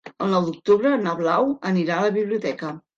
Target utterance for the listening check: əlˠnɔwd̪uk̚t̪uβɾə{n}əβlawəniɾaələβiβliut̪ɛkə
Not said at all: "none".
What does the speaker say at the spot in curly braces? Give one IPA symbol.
n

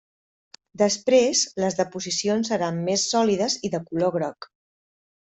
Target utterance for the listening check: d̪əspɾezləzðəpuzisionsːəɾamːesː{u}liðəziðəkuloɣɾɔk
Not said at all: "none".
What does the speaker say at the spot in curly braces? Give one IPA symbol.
ɔ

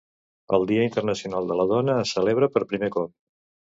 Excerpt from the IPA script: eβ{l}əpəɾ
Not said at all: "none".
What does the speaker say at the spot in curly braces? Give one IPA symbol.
ɾ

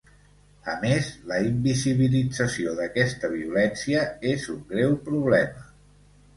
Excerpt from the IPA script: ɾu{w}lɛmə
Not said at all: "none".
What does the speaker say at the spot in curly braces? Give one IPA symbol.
β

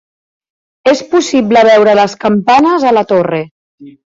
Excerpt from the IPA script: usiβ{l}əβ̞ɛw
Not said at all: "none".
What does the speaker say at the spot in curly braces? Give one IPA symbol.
l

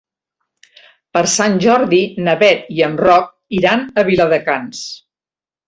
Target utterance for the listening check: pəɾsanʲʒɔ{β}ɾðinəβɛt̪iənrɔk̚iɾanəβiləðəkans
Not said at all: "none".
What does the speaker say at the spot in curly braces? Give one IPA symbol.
none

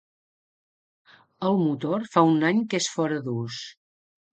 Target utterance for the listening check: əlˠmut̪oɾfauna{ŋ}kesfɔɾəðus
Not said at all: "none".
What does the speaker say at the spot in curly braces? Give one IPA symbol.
ɲ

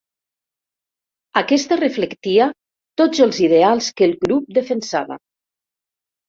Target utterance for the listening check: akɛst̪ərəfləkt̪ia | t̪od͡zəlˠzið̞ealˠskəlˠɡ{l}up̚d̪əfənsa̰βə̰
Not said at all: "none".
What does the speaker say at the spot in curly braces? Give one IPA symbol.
ɾ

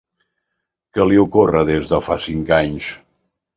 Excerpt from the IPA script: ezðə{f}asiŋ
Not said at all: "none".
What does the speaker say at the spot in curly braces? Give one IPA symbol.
f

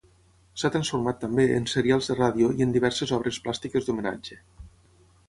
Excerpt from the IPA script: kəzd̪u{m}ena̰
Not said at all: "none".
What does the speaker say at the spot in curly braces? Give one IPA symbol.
m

